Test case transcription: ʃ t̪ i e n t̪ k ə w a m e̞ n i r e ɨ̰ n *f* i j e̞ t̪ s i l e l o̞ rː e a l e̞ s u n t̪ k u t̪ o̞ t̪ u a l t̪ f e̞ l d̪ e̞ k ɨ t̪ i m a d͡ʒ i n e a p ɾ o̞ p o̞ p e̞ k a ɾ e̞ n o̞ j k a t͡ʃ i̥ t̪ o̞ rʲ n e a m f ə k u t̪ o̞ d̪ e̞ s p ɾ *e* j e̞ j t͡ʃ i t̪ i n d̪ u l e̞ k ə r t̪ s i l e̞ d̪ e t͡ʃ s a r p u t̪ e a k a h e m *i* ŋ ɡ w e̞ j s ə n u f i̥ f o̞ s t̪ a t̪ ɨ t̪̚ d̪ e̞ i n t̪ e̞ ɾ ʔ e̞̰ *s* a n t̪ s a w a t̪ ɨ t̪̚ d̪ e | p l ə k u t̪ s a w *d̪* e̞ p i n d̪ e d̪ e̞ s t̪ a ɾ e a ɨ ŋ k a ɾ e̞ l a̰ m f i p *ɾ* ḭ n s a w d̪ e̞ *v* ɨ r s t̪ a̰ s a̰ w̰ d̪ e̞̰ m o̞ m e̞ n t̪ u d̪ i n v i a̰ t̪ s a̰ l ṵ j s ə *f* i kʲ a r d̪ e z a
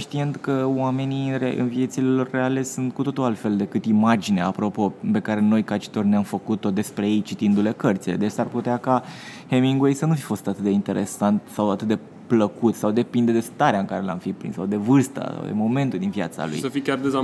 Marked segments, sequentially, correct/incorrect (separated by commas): incorrect, correct, correct, correct, correct, correct, correct, correct